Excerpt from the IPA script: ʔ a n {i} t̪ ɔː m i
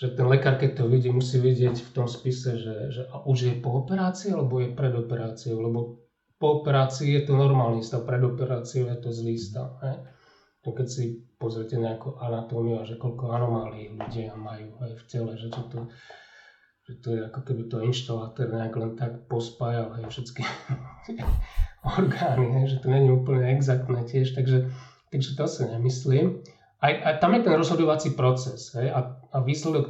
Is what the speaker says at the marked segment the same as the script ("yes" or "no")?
no